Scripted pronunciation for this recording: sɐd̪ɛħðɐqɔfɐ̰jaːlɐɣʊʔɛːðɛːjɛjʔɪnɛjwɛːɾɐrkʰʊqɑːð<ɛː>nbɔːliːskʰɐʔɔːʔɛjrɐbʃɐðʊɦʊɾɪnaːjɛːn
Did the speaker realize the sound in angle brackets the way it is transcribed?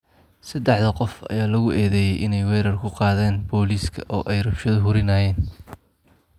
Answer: yes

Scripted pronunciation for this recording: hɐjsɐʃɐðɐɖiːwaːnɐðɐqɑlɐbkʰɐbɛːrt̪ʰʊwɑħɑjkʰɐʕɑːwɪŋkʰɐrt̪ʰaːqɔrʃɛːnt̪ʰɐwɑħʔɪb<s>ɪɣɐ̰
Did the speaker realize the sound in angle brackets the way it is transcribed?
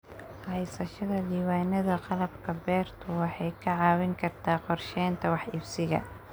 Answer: yes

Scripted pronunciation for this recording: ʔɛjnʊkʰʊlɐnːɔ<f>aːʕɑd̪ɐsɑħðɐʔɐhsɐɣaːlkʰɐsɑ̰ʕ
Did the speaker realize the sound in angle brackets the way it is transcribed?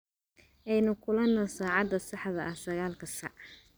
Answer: no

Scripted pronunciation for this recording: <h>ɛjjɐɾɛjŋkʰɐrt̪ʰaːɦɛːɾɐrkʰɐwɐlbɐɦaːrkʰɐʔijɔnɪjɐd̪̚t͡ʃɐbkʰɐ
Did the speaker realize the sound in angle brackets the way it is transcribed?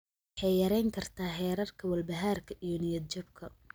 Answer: no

